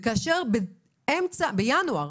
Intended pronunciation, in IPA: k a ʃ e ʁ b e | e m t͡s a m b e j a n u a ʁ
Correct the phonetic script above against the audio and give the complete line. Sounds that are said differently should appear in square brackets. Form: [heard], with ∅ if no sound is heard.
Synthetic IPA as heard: k a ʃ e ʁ b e | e m t͡s a [∅] b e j a n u a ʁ